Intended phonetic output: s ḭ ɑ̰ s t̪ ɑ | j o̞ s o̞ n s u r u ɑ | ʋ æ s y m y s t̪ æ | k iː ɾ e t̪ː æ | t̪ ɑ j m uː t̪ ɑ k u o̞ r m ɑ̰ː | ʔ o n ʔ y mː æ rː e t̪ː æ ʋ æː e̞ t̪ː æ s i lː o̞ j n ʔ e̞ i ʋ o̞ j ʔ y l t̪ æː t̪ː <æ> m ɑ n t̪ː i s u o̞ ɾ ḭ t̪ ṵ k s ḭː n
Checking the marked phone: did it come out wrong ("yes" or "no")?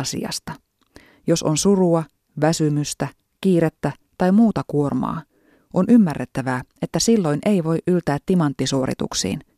yes